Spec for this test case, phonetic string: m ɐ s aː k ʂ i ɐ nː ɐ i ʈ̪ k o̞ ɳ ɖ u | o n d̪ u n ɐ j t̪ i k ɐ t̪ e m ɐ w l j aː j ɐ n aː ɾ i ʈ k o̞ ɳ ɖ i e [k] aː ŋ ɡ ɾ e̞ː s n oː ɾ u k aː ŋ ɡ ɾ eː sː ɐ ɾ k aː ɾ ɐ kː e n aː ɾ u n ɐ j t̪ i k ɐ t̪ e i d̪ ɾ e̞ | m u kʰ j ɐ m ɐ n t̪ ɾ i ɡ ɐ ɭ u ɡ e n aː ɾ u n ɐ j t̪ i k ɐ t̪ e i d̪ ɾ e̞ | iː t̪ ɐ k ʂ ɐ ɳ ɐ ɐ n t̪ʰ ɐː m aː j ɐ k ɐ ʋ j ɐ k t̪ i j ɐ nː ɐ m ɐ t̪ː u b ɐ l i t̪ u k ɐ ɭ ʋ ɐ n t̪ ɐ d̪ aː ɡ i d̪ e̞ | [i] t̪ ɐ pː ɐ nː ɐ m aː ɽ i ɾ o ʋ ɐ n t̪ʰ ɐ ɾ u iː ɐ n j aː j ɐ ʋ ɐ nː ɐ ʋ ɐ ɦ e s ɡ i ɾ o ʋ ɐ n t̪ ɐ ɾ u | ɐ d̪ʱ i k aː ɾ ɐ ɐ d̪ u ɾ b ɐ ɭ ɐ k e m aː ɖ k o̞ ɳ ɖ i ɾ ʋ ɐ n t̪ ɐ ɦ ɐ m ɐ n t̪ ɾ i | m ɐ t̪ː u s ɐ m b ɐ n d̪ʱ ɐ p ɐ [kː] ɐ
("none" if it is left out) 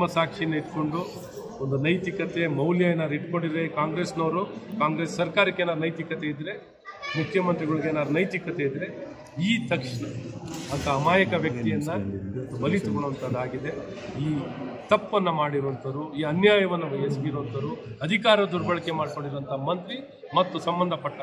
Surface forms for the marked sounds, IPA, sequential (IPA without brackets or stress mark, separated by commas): k, iː, ʈː